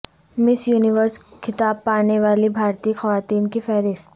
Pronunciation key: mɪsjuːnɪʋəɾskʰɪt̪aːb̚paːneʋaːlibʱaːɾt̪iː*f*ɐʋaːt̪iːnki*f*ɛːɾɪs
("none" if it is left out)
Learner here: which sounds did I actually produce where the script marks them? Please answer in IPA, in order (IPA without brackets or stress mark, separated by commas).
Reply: x, f